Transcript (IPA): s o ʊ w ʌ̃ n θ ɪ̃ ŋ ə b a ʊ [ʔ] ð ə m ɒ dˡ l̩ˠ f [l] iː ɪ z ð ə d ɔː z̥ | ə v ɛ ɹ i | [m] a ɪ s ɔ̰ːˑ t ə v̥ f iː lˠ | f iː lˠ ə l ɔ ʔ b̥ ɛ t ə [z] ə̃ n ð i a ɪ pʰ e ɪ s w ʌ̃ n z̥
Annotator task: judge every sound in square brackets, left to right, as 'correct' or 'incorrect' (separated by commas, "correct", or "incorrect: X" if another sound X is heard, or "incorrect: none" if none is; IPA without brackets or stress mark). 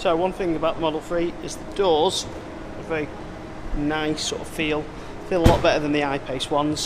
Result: correct, incorrect: ɹ, incorrect: n, incorrect: ð